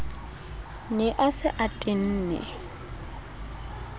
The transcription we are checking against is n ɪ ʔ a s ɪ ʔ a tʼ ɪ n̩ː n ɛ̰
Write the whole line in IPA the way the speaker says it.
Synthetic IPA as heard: n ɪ ʔ a s ɪ ʔ a tʼ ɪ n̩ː n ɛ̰